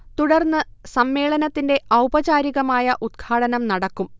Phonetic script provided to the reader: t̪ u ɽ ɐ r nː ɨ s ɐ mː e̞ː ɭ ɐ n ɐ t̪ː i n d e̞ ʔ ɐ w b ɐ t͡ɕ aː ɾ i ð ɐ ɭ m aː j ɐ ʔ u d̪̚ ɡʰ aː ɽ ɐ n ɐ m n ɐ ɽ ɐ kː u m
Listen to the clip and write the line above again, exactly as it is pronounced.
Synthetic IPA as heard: t̪ u ɽ ɐ r nː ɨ s ɐ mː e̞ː ɭ ɐ n ɐ t̪ː i n d e̞ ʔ ɐ w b ɐ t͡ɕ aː ɾ i ɣ ɐ m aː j ɐ ʔ u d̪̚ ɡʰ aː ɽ ɐ n ɐ m n ɐ ɽ ɐ kː u m